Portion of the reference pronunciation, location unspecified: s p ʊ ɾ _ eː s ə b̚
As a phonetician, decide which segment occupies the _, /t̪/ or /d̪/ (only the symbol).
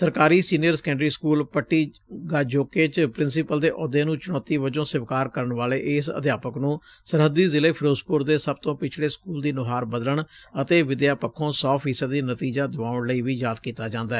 d̪